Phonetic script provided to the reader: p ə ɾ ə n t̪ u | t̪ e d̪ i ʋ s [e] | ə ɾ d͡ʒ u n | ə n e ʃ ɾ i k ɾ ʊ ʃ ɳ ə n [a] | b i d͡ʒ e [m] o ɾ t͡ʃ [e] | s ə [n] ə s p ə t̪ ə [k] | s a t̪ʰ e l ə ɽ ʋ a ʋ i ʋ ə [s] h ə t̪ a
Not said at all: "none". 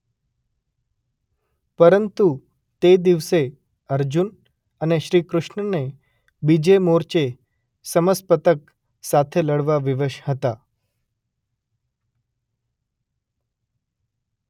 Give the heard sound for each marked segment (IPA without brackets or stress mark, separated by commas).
e, e, m, e, m, k, ʃ